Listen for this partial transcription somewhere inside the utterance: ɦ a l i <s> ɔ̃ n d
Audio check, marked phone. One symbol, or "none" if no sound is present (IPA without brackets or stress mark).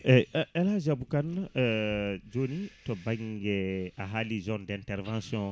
z